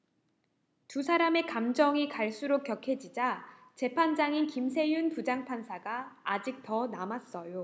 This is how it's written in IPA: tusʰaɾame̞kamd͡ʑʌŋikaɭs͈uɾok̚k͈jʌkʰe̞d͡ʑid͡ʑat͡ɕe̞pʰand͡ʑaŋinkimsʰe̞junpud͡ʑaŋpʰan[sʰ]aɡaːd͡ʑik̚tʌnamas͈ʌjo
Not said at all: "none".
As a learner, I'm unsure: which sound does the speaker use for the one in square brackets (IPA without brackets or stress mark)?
sʰ